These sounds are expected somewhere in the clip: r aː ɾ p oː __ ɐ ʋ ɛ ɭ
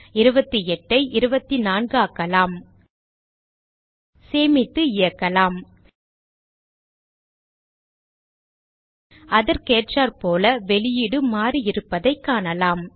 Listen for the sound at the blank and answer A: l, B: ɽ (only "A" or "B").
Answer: A